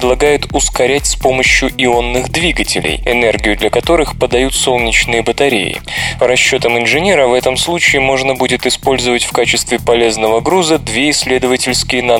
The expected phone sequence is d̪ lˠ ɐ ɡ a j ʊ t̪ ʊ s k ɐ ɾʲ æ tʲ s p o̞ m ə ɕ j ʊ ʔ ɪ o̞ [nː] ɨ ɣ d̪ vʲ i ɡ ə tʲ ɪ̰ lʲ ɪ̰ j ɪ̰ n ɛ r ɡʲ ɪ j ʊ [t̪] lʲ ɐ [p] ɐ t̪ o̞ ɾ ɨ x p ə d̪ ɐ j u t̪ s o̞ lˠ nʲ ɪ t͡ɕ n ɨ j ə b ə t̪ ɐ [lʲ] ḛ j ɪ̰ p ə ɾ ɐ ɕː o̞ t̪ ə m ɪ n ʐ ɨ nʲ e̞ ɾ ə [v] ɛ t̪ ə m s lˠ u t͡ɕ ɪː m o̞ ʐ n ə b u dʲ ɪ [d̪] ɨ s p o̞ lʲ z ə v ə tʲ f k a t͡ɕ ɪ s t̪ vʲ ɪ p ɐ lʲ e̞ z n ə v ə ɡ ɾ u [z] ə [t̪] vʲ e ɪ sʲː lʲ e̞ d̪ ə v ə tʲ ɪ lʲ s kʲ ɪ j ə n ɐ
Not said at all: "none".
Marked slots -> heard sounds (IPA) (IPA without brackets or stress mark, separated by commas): nː, d̪, k, ɾʲ, v, t̪, z, d̪